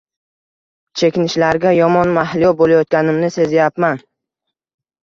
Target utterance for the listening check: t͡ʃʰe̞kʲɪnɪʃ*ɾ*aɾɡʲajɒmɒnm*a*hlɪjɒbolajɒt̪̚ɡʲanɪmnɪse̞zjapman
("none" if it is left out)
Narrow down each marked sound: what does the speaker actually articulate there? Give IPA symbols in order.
l, a

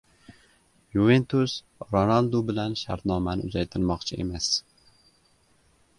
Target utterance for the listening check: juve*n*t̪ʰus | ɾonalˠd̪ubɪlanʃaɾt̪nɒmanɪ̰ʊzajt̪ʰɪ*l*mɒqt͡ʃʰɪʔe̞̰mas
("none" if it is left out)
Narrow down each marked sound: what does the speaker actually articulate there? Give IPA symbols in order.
n, ɾ

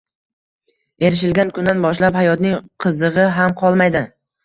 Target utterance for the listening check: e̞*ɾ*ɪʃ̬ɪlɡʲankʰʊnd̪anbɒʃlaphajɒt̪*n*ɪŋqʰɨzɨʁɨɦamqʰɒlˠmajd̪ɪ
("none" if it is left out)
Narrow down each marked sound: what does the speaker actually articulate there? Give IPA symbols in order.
ɾ, n

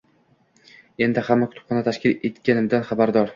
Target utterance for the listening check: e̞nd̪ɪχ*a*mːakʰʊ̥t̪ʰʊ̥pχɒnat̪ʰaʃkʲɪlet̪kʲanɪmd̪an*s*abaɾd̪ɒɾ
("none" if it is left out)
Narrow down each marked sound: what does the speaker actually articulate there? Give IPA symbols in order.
a, χ

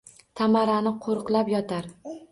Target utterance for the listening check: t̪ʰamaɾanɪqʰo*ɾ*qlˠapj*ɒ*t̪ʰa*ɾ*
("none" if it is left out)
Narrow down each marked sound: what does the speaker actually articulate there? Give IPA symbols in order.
ɾ, ɒ, ɾ

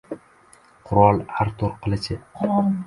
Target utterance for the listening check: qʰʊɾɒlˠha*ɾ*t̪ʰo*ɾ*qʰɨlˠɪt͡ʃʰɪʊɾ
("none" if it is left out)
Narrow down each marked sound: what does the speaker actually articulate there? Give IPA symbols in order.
ɾ, ɾ

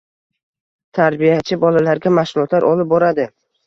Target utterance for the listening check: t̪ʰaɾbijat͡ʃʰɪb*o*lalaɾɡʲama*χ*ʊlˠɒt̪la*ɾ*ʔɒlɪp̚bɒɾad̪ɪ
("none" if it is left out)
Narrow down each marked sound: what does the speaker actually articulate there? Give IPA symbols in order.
ɒ, ʃ, ɾ

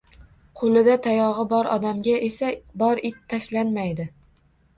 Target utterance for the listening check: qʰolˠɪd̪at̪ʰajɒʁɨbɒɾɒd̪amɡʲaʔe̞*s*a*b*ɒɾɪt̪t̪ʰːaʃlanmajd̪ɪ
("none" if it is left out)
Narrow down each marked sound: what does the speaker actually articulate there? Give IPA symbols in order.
s, b

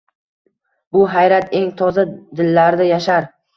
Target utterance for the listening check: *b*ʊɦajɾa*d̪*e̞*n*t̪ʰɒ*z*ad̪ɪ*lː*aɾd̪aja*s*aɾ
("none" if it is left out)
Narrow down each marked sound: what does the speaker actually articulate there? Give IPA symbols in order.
b, t̪, ŋ, z, lː, ʃ

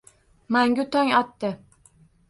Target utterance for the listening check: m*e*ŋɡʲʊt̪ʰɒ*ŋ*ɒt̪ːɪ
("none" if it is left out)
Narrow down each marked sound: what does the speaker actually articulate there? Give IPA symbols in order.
a, ŋ

